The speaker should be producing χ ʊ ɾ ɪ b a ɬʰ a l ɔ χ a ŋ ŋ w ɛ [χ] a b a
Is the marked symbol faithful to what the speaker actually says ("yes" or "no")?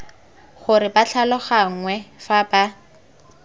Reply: no